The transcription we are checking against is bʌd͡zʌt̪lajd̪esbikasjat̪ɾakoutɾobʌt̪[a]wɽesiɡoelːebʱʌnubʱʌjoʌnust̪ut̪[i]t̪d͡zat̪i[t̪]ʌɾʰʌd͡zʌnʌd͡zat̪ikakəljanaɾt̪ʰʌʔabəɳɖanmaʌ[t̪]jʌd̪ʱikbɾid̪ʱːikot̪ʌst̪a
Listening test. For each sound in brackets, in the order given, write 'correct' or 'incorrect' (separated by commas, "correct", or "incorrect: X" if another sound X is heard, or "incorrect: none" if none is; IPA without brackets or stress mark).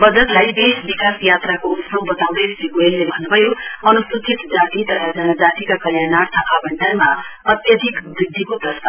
correct, correct, correct, correct